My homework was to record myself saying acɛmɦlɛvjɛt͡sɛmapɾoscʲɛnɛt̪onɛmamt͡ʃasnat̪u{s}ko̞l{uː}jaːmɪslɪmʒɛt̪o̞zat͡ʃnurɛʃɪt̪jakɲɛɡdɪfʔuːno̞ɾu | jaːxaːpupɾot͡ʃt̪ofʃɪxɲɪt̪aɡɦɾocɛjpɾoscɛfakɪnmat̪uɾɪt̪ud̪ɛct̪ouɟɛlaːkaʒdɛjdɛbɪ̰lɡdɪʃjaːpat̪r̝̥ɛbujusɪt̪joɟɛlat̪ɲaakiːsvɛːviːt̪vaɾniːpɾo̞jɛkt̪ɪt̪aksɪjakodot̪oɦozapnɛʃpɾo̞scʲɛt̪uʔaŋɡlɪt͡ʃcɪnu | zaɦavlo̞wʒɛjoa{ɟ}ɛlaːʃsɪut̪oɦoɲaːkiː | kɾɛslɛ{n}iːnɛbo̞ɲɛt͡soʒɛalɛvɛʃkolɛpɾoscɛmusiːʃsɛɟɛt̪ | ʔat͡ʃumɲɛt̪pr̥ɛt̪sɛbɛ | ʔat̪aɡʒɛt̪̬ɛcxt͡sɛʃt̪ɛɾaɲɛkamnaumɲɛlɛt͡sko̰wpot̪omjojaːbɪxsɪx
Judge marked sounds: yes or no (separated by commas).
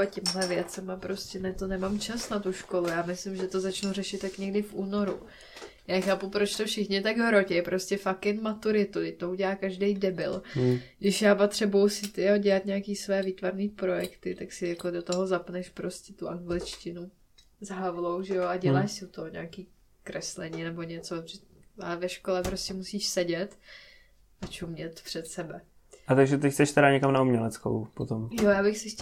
no, no, yes, no